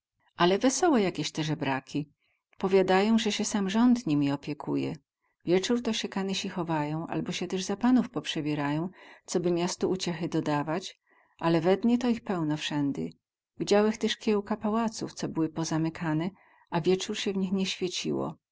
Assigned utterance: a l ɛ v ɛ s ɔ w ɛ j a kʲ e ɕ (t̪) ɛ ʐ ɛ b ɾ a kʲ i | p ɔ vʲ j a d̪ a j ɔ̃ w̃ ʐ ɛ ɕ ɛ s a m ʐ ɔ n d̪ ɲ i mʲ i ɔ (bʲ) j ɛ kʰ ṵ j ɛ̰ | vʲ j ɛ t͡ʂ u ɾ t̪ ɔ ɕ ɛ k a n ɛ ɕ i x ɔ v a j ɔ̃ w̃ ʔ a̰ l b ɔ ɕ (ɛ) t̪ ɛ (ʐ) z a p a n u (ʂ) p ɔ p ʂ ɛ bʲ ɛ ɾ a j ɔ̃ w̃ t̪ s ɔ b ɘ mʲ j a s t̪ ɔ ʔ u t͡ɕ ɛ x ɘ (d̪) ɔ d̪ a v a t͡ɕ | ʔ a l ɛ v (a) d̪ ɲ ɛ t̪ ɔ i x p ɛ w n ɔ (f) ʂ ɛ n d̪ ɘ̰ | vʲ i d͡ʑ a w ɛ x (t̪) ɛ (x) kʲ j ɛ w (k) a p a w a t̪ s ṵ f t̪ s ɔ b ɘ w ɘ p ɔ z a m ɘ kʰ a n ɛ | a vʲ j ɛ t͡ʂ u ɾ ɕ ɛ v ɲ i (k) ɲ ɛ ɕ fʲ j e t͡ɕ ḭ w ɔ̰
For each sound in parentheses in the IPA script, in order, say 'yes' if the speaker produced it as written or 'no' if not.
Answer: yes, no, yes, yes, no, yes, no, yes, yes, no, yes, no

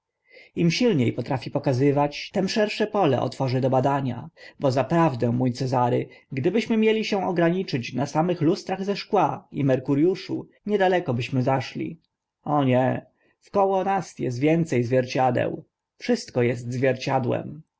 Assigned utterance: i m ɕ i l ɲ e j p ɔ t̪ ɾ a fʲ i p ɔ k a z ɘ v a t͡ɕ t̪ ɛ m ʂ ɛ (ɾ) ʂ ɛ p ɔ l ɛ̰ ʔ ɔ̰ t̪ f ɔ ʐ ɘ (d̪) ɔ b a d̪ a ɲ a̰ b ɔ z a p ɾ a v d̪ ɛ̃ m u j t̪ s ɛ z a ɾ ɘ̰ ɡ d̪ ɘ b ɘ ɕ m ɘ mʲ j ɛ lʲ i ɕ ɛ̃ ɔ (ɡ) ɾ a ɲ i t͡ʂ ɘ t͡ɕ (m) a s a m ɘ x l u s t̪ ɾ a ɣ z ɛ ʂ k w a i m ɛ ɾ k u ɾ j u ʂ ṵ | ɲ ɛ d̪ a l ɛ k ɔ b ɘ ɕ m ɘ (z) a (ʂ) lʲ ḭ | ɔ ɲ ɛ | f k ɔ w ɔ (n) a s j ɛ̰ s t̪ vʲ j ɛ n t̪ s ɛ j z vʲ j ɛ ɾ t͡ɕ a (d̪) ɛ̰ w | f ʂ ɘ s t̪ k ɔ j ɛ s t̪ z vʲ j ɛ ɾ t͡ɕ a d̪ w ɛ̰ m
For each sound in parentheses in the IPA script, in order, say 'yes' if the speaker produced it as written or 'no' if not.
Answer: yes, yes, yes, no, yes, yes, yes, yes

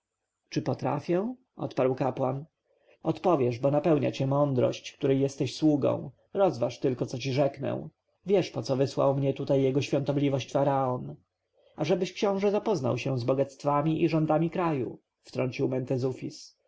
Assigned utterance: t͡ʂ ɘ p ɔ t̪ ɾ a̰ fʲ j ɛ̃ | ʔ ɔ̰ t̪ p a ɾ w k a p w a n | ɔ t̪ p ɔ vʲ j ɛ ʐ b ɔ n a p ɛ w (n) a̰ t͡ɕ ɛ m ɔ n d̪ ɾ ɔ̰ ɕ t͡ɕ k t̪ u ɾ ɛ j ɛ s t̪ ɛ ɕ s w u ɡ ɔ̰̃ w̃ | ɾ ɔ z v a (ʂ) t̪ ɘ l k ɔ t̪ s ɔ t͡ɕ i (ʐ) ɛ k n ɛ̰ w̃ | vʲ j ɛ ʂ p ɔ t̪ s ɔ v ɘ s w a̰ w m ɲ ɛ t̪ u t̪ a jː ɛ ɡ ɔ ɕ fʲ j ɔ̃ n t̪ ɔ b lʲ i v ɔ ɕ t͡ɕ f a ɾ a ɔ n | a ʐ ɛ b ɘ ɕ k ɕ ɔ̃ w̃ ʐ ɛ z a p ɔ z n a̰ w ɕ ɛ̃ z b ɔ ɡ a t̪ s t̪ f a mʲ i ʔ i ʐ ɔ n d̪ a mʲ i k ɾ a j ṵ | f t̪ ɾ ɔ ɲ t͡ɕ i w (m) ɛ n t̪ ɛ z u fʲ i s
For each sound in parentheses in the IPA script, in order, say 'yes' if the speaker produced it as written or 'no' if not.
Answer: no, yes, yes, yes

